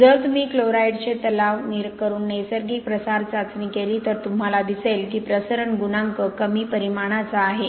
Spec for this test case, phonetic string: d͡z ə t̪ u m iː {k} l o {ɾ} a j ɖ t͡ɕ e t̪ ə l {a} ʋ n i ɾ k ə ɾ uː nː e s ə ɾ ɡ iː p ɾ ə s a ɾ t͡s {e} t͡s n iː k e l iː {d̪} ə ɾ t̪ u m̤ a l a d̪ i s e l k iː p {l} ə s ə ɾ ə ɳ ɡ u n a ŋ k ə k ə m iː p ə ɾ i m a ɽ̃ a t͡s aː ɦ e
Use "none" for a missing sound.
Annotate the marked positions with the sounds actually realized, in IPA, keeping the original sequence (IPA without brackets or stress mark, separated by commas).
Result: k, ɾ, a, a, t̪, ɾ